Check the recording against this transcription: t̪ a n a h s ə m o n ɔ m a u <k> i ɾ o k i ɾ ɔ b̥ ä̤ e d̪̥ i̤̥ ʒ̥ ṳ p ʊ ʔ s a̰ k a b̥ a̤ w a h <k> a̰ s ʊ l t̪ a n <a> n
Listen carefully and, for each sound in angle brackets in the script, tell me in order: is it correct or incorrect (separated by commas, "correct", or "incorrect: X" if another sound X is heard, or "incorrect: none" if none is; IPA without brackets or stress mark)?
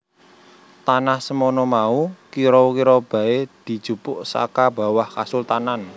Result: correct, correct, correct